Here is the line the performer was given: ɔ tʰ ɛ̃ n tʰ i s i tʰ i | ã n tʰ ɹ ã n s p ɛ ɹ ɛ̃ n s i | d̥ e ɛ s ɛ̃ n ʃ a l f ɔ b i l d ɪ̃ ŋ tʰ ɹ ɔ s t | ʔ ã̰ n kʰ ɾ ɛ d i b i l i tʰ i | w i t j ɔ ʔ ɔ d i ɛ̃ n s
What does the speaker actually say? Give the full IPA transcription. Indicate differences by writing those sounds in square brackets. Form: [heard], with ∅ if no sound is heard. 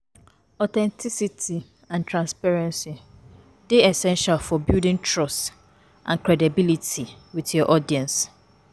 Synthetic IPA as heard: ɔ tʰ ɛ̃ n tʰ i s i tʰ i | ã n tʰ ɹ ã n s p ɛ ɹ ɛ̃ n s i | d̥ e ɛ s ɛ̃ n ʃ a l f ɔ b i l d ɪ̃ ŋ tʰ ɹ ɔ s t | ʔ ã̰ n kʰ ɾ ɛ d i b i l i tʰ i | w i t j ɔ ʔ ɔ d i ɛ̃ n s